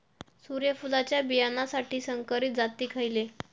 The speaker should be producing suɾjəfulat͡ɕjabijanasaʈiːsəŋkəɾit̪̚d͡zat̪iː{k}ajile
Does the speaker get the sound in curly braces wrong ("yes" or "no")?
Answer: yes